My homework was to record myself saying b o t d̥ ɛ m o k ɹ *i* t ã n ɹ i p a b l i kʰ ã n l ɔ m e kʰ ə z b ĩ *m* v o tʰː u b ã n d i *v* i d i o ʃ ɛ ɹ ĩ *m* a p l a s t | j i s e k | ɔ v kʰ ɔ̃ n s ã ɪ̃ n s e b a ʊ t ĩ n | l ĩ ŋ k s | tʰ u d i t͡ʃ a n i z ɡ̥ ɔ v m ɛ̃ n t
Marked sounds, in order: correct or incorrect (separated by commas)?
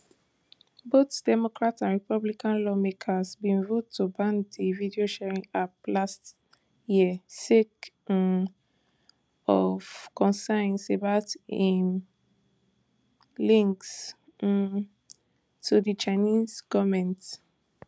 incorrect, incorrect, correct, incorrect